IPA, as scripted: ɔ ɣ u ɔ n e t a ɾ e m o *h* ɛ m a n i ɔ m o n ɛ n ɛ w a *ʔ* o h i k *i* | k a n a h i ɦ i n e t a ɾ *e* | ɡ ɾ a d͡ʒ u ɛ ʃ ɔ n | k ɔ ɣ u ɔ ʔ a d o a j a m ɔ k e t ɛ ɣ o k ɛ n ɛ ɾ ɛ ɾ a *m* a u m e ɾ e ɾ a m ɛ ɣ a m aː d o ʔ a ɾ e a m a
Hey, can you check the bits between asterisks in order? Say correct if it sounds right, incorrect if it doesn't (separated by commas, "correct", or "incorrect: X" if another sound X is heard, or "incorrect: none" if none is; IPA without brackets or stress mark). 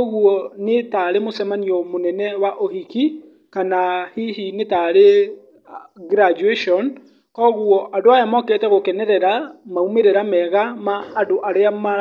incorrect: s, correct, correct, correct, correct